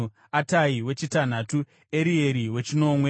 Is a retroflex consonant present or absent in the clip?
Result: absent